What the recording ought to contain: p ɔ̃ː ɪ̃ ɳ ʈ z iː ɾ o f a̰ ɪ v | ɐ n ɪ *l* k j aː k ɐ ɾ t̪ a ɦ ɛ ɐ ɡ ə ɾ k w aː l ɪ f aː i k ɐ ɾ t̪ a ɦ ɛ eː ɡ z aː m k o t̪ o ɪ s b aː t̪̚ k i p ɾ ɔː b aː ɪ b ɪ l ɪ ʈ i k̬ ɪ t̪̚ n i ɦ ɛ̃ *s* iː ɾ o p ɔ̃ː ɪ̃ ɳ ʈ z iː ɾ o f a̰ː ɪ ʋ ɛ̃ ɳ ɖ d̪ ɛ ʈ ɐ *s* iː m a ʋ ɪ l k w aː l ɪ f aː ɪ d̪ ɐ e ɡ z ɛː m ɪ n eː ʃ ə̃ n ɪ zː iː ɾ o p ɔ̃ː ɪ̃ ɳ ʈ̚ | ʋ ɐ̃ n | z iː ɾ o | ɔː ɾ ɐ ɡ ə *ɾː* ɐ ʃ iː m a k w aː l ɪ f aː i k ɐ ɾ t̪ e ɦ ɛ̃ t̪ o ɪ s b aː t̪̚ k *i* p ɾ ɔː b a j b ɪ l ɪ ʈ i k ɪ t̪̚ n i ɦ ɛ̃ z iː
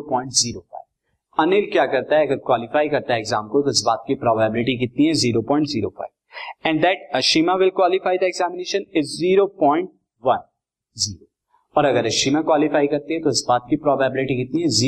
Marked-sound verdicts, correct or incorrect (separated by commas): correct, incorrect, incorrect, incorrect, correct